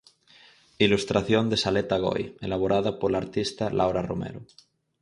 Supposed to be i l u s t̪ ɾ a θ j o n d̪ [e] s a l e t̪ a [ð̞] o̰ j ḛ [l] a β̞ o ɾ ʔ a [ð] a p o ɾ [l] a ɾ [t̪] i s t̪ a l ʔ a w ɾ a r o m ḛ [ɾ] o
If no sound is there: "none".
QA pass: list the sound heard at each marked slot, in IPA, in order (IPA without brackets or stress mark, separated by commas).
e, ɣ̞, l, ð, l, t̪, ɾ